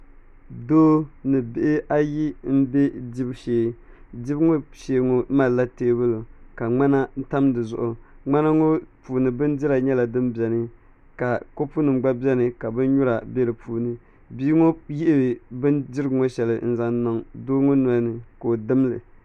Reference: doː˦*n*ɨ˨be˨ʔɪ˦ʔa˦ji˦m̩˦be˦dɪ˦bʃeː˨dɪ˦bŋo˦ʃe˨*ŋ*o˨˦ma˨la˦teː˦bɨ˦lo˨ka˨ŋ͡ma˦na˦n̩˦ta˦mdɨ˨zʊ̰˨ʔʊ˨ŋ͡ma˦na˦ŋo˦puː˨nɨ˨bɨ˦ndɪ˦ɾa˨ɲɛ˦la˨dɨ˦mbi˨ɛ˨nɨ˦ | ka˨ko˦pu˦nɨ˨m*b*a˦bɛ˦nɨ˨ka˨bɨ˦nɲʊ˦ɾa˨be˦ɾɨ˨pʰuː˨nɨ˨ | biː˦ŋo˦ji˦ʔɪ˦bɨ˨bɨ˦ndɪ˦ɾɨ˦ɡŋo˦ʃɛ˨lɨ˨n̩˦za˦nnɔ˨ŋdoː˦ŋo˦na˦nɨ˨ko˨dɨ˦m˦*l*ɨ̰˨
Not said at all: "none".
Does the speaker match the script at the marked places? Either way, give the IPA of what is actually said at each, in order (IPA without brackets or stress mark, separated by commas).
n, ŋ, ɡ͡b, l